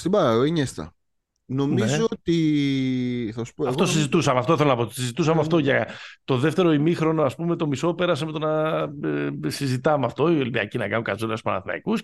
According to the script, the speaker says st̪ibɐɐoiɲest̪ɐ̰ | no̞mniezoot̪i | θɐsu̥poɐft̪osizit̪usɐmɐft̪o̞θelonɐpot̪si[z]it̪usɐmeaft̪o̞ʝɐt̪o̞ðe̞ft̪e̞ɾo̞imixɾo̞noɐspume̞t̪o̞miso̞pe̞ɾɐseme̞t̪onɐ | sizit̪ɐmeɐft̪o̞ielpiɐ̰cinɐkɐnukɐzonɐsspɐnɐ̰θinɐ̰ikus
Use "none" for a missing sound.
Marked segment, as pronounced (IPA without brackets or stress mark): z